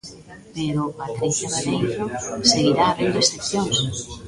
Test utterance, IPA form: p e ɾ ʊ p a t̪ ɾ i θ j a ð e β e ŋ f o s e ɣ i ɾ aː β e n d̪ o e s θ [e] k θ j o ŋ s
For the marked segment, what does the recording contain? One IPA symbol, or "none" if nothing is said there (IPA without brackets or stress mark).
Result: e